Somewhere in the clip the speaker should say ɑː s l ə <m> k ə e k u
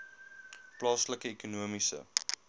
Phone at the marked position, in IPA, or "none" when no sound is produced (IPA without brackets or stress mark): none